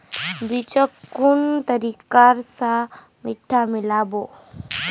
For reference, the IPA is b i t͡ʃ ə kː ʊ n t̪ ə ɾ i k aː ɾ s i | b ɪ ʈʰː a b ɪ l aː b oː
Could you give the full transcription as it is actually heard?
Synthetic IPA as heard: b i t͡ʃ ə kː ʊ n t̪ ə ɾ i k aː ɾ s a | m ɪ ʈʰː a m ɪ l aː b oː